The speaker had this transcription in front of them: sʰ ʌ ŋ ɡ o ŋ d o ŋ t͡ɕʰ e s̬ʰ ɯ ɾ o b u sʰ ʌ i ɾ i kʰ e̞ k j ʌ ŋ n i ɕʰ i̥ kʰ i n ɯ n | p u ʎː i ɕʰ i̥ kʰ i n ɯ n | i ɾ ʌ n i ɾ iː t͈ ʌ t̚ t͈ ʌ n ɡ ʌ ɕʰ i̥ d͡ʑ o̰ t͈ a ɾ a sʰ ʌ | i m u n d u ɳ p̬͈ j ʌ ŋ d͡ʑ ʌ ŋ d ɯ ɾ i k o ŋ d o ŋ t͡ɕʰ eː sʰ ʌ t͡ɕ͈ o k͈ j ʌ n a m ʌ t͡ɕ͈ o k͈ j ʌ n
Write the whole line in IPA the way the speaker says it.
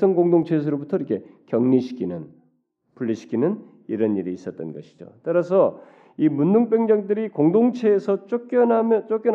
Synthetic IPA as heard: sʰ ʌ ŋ ɡ o ŋ d o ŋ t͡ɕʰ e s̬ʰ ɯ ɾ o b u tʰ ʌ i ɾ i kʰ e̞ k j ʌ ŋ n i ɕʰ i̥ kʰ i n ɯ n | p u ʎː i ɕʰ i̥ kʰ i n ɯ n | i ɾ ʌ n i ɾ iː s͈ ʌ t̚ t͈ ʌ n ɡ ʌ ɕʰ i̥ d͡ʑ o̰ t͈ a ɾ a sʰ ʌ | i m u n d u ŋ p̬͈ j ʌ ŋ d͡ʑ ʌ ŋ d ɯ ɾ i k o ŋ d o ŋ t͡ɕʰ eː sʰ ʌ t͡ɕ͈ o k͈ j ʌ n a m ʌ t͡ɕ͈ o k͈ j ʌ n